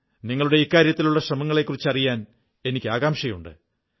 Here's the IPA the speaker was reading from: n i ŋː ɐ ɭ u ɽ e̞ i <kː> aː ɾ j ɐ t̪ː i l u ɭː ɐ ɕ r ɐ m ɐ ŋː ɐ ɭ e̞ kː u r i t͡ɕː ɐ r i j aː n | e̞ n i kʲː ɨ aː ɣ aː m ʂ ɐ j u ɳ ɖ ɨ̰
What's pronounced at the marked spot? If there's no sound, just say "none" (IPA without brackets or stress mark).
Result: kː